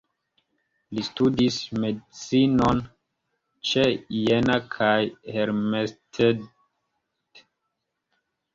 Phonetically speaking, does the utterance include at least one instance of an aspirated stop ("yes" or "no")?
yes